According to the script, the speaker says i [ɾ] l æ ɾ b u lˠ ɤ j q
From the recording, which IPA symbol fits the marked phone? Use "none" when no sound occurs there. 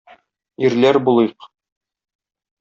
ɾ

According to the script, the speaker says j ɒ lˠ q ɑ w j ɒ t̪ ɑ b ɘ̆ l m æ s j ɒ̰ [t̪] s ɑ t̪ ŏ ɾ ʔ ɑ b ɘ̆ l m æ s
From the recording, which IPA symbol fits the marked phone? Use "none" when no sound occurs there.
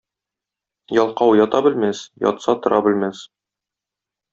t̪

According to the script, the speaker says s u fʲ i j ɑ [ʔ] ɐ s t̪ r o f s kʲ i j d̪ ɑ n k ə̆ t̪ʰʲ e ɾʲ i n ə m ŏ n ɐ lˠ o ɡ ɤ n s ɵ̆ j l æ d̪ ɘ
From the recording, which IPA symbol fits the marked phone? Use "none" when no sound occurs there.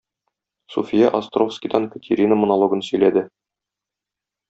ʔ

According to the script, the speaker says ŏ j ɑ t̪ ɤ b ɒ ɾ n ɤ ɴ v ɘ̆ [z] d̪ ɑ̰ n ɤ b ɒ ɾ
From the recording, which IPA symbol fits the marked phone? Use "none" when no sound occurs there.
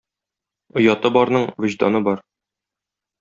ʑ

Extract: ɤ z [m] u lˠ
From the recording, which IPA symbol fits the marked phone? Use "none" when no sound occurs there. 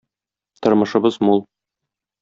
m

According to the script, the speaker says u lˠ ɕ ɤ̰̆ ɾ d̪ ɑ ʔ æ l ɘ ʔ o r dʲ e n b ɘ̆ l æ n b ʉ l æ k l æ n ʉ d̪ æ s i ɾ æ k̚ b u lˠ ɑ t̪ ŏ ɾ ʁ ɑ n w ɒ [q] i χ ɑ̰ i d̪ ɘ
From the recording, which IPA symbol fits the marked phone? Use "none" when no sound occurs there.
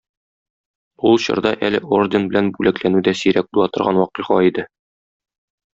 q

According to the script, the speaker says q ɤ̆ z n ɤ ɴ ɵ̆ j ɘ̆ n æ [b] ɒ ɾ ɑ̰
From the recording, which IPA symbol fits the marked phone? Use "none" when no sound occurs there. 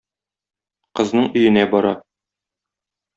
b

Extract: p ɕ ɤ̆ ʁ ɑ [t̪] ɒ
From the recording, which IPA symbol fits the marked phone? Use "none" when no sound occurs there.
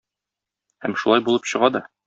d̪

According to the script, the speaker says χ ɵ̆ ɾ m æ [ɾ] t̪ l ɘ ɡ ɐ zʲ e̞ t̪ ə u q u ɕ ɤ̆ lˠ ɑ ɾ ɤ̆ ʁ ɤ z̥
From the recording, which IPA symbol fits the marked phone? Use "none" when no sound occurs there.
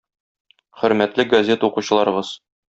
none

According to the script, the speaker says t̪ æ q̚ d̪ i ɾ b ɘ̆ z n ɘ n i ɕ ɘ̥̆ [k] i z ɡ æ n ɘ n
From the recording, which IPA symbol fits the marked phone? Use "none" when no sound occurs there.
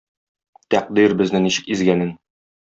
k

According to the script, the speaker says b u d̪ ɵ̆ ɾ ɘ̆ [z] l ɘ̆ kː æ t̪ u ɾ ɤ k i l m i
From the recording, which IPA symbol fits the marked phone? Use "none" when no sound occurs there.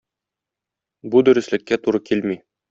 s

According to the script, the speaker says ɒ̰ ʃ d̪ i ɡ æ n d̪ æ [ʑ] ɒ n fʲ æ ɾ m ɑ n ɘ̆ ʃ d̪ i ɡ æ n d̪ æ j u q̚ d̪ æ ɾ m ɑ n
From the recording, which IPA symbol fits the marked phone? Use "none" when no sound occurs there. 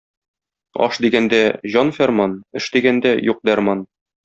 ʑ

